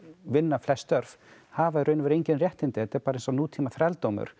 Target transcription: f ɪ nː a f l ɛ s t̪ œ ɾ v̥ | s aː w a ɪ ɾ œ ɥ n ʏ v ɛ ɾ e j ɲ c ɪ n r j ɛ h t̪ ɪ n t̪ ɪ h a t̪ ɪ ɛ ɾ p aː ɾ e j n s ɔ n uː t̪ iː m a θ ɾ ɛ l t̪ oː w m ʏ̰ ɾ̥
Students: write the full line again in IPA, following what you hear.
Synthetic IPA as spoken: v ɪ nː a f l ɛ s t̪ œ ɾ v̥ | h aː v a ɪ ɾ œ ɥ n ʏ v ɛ ɾ e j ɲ c ɪ n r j ɛ h t̪ ɪ n t̪ ɪ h ɛ t̪ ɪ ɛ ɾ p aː ɾ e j n s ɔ n uː t̪ʰ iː m a θ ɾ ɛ l t̪ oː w m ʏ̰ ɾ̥